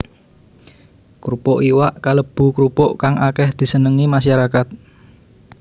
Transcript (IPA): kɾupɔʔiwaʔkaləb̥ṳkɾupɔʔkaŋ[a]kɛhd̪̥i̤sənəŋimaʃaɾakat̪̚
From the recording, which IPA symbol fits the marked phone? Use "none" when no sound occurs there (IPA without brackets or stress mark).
a